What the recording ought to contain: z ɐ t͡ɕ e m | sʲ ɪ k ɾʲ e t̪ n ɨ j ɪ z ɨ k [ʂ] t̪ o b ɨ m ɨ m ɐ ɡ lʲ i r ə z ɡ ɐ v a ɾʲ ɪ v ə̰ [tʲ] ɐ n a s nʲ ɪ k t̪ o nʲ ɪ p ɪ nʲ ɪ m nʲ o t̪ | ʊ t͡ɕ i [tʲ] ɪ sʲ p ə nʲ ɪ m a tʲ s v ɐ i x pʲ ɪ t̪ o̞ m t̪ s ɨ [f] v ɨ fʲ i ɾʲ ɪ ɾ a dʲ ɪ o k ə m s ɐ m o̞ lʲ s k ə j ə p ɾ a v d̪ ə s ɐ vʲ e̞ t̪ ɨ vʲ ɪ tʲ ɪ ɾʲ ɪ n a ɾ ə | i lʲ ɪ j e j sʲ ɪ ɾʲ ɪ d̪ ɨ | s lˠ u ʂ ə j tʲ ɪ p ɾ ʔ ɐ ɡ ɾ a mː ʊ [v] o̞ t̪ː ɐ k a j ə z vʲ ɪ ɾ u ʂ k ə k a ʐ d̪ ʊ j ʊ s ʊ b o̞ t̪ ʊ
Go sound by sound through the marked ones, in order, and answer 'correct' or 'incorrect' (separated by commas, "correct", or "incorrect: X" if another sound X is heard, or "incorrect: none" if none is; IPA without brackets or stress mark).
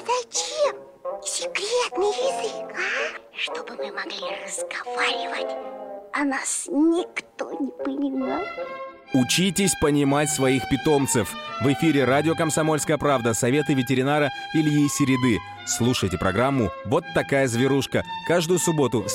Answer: correct, correct, correct, correct, correct